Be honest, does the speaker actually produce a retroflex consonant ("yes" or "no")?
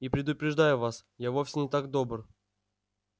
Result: yes